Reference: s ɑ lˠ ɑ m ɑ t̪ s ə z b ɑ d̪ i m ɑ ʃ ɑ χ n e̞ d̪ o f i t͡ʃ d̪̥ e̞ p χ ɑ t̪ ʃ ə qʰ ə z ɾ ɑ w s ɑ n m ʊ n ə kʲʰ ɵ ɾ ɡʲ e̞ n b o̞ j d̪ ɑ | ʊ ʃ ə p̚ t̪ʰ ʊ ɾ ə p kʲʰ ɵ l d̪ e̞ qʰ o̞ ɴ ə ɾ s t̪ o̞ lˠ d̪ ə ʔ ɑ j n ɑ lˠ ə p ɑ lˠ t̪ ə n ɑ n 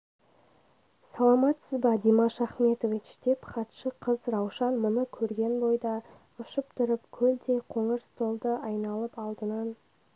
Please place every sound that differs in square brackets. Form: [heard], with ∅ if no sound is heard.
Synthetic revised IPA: s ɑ lˠ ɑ m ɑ t̪ s ə z b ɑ d̪ i m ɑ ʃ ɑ χ [m] e̞ [t̪] o [v] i t͡ʃ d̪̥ e̞ p χ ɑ t̪ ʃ ə qʰ ə z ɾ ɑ w [ʃ] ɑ n m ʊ n ə kʲʰ ɵ ɾ ɡʲ e̞ n b o̞ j d̪ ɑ | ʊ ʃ ə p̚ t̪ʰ ʊ ɾ ə p kʲʰ ɵ l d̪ e̞ qʰ o̞ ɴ ə ɾ s t̪ o̞ lˠ d̪ ə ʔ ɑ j n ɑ lˠ ə p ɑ lˠ [d̪] ə n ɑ n